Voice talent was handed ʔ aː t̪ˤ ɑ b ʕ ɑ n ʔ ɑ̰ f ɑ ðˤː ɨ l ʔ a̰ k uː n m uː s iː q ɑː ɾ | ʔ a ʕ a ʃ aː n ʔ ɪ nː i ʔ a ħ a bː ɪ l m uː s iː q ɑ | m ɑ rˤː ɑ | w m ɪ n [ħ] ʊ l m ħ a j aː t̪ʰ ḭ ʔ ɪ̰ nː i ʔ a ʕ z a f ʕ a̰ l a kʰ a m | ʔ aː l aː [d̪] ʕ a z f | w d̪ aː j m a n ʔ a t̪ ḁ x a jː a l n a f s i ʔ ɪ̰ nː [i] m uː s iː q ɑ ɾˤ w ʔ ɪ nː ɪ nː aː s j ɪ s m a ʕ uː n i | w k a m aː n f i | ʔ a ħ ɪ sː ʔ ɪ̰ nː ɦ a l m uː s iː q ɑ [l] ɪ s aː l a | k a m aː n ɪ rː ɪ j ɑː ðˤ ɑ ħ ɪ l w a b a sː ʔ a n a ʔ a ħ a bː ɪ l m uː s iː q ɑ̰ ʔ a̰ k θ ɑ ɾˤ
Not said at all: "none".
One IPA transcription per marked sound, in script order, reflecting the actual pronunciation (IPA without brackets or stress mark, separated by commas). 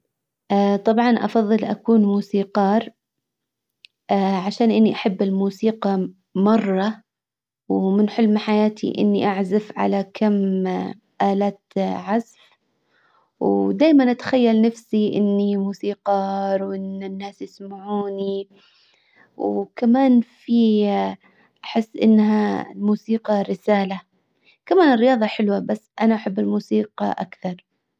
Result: ħ, t̪, i, ɾ